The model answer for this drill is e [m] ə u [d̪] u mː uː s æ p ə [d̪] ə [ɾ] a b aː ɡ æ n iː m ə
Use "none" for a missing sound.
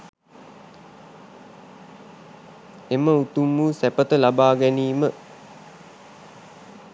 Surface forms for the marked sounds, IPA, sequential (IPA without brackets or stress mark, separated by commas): m, t̪, t̪, l